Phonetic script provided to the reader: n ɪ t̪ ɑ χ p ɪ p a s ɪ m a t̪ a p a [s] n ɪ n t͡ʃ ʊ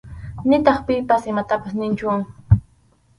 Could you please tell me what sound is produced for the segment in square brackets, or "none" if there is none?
s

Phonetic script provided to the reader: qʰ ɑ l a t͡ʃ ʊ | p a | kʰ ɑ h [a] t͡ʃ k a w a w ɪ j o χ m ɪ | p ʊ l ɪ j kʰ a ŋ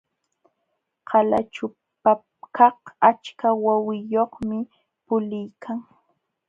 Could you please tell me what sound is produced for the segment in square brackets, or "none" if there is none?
a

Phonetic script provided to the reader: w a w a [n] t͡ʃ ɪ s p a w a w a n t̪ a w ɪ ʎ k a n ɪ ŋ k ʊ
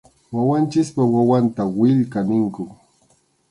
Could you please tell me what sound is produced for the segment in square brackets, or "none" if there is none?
n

